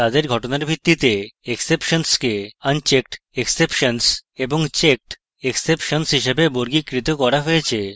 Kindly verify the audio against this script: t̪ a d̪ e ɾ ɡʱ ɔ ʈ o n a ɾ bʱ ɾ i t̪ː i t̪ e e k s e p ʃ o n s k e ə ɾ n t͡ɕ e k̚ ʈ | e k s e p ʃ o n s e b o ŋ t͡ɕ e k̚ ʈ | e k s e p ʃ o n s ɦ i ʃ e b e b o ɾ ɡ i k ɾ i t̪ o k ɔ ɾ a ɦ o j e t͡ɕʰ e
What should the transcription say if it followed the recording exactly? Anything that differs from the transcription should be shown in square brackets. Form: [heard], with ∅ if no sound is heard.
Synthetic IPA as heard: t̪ a d̪ e ɾ ɡʱ ɔ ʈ o n a ɾ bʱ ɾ i t̪ː i t̪ e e k s e p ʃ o n s k e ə [∅] n t͡ɕ e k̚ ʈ | e k s e p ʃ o n s e b o ŋ t͡ɕ e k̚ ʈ | e k s e p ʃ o n s ɦ i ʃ e b e b o ɾ ɡ i k ɾ i t̪ o k ɔ ɾ a ɦ o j e t͡ɕʰ e

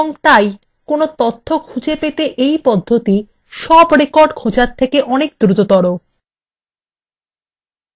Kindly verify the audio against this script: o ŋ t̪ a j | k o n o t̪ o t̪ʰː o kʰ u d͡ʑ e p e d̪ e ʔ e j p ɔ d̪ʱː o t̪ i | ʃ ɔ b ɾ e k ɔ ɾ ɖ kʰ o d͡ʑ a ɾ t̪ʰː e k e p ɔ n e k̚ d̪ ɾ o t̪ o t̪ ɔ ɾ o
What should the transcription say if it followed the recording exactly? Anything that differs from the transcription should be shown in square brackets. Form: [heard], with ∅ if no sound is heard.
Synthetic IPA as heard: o ŋ t̪ a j | k o n o t̪ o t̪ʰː o kʰ u d͡ʑ e p e [t̪] e ʔ e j p ɔ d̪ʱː o t̪ i | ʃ ɔ b ɾ e k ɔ ɾ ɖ kʰ o d͡ʑ a ɾ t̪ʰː e k e [ʔ] ɔ n e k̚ d̪ ɾ [u] t̪ o t̪ ɔ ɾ o

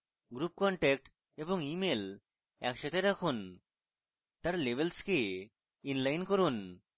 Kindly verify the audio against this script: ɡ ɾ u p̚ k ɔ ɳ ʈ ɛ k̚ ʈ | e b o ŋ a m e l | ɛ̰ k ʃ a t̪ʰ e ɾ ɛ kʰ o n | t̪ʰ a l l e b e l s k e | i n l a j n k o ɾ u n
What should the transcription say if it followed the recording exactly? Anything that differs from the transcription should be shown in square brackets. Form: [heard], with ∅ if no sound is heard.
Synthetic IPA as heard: ɡ ɾ u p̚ k ɔ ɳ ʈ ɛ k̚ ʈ | e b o ŋ [i] m e l | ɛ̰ k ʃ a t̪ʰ e ɾ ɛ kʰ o n | [t̪] a [ɾ] l e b e l s k e | i n l a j n k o ɾ u n

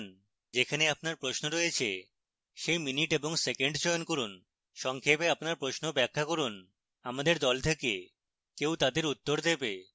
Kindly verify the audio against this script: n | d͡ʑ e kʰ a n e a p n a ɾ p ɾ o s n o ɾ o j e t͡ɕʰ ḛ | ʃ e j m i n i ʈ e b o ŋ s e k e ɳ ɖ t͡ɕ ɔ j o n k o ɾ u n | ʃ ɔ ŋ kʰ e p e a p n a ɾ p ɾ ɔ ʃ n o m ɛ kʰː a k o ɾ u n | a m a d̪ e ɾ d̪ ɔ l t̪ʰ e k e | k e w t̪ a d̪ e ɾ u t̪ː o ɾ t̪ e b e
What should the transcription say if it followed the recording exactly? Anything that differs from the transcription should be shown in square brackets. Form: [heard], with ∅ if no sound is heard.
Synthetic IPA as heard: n | d͡ʑ e kʰ a n e a p n a ɾ p ɾ o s n o ɾ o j e t͡ɕʰ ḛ | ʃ e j m i n i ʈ e b o ŋ s e k e ɳ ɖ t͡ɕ ɔ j o n k o ɾ u n | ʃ ɔ ŋ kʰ e p e a p n a ɾ p ɾ [o] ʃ n o [b] ɛ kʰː a k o ɾ u n | a m a d̪ e ɾ d̪ ɔ l t̪ʰ e k e | k e w t̪ a d̪ e ɾ u t̪ː o ɾ [d̪] e b e

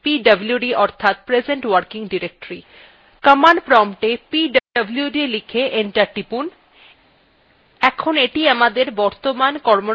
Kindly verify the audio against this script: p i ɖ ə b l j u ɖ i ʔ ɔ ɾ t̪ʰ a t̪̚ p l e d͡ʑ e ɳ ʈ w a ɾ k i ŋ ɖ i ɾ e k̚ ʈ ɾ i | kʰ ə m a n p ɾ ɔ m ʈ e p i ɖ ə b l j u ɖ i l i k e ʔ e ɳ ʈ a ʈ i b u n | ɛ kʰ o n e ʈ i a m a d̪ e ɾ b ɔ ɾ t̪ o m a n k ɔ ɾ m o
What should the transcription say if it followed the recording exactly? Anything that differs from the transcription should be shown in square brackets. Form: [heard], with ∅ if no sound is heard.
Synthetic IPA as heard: p i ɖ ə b l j u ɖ i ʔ ɔ ɾ t̪ʰ a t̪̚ p [ɾ] e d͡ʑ e ɳ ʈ w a ɾ k i ŋ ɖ i ɾ e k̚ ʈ ɾ i | [k] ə m a n p ɾ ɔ m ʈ e p i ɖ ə b l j u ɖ i l i [kʰ] e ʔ e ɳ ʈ a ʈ i [p] u n | ɛ kʰ o n e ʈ i a m a d̪ e ɾ b ɔ ɾ t̪ o m a n k ɔ ɾ m o

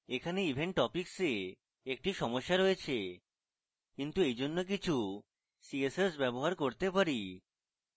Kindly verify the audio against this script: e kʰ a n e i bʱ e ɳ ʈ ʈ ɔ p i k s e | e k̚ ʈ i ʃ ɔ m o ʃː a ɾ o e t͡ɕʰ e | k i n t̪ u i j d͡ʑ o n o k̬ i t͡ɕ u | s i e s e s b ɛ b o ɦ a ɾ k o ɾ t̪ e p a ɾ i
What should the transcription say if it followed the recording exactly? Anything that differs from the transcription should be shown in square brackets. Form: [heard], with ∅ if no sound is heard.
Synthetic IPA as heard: e kʰ a n e i bʱ e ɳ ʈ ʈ ɔ p i k s e | e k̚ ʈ i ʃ ɔ m o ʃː a ɾ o e t͡ɕʰ e | k i n t̪ u [e] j d͡ʑ o [nː] o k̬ i [t͡ɕʰ] u | s i e s e s b ɛ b o ɦ a ɾ k o ɾ t̪ e p a ɾ i

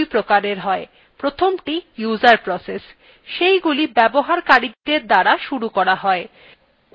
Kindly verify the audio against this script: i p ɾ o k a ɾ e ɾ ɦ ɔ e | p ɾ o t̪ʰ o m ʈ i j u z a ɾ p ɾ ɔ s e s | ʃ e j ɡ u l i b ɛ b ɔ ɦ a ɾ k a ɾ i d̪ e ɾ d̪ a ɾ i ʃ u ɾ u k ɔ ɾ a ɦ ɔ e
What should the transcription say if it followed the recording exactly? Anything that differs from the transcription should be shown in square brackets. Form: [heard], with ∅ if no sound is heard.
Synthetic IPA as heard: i p ɾ o k a ɾ e ɾ ɦ ɔ e | p ɾ o t̪ʰ o m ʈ i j u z a ɾ p ɾ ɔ s e s | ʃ e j ɡ u l i b ɛ b [o] ɦ a ɾ k a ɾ i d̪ e ɾ d̪ a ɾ [a] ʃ u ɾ u k ɔ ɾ a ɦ ɔ e

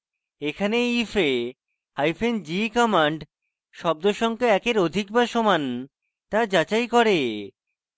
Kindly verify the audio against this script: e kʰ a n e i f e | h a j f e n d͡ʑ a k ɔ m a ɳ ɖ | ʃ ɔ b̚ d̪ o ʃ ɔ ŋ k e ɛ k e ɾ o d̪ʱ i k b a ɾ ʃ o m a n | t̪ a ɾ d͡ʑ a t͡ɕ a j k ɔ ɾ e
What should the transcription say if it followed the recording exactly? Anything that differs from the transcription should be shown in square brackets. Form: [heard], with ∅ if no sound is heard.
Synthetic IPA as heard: e kʰ a n e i f e | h a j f e n d͡ʑ [i] k ɔ m a ɳ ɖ | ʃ ɔ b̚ d̪ o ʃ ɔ ŋ k e ɛ k e ɾ o d̪ʱ i k b a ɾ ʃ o m a n | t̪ a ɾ d͡ʑ a t͡ɕ a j k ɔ ɾ e

